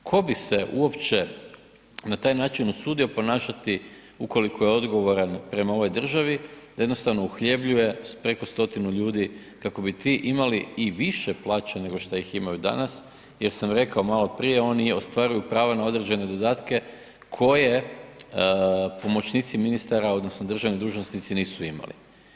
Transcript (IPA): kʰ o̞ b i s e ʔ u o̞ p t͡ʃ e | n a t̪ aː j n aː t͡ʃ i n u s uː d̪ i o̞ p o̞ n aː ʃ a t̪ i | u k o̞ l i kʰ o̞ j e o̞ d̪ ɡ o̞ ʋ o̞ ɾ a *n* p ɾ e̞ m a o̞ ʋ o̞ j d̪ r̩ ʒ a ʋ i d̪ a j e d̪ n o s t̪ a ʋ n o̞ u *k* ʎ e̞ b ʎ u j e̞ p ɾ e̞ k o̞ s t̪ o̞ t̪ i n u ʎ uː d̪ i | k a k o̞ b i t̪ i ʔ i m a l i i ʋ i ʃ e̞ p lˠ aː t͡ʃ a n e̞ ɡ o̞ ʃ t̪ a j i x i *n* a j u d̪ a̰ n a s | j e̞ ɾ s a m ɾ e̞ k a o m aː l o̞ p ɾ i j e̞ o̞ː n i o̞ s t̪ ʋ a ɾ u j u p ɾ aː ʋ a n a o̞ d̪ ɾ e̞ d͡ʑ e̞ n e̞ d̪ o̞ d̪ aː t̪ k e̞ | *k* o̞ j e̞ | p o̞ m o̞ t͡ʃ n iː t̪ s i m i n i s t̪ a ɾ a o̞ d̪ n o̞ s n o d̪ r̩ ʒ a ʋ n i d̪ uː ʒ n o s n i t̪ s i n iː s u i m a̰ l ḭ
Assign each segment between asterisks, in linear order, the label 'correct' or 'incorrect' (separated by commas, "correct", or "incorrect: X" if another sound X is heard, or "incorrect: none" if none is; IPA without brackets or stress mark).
correct, incorrect: x, incorrect: m, incorrect: kʰ